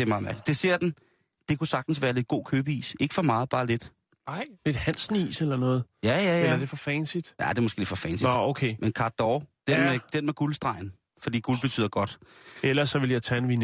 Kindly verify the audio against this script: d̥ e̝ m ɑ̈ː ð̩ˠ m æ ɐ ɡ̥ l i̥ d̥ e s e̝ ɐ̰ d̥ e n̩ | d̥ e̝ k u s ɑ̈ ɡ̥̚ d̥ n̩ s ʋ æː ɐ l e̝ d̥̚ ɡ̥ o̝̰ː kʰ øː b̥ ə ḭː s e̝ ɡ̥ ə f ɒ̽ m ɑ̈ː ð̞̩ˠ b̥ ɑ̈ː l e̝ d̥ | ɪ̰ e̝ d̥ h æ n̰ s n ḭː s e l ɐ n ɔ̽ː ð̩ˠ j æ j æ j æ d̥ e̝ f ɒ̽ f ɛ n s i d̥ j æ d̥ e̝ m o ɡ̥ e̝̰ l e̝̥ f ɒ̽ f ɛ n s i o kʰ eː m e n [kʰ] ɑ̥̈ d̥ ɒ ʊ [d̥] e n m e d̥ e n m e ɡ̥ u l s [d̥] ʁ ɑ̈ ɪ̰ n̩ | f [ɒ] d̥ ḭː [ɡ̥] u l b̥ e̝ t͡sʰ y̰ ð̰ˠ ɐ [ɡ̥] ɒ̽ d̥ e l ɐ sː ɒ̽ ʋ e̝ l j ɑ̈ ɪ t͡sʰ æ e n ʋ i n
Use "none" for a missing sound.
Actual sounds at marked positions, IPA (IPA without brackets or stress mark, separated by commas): kʰ, d̥, d̥, ɒ, ɡ̥, ɡ̥